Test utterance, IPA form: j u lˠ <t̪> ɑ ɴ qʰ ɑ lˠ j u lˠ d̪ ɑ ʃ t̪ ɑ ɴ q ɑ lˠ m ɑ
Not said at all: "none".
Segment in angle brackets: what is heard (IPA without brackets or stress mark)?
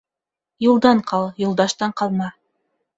d̪